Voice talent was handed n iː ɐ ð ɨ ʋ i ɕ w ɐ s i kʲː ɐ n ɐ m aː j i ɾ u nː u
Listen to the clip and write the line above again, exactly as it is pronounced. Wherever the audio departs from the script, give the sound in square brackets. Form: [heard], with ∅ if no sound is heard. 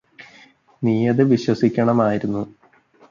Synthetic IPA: n iː ɐ ð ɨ ʋ i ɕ w ɐ s i kʲː ɐ [ɳ] ɐ m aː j i ɾ u nː u